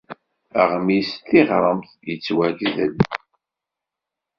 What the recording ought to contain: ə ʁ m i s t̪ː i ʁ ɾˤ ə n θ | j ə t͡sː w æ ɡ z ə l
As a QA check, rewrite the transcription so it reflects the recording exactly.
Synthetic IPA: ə ʁ m i s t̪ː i ʁ ɾˤ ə m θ | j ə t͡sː w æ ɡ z ə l